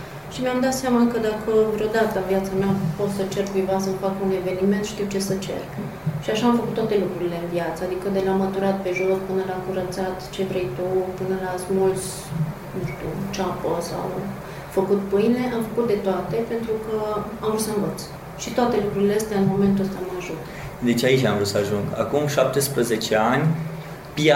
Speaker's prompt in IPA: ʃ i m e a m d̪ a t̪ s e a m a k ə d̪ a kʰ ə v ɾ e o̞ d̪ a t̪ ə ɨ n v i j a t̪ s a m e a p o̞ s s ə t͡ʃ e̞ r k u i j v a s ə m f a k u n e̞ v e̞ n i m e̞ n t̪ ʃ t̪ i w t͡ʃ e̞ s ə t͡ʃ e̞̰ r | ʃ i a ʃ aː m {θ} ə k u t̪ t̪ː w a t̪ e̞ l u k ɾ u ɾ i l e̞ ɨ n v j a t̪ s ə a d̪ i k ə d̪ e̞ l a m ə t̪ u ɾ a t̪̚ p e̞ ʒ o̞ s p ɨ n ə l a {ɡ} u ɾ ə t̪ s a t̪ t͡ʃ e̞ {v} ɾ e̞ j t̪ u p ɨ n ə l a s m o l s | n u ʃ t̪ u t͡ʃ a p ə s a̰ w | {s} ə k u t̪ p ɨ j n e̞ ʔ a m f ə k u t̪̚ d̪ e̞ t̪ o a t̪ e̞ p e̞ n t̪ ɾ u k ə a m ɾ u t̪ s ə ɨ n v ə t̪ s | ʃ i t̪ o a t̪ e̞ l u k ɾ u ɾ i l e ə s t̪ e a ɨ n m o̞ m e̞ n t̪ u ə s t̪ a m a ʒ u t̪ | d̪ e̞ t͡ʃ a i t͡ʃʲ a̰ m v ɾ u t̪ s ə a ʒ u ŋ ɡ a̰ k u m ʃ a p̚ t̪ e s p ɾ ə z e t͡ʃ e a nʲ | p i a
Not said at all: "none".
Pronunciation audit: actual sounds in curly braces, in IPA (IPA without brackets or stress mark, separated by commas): f, k, v, f